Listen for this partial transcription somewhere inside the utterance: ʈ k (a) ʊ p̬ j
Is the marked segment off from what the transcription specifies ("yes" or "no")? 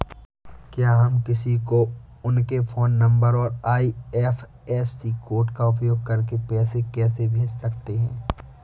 no